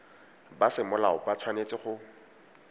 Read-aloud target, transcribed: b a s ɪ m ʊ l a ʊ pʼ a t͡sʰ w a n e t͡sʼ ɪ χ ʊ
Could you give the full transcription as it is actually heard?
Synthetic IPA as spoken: b a s ɪ m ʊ l a ʊ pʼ a t͡sʰ w a n e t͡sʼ ɪ χ ʊ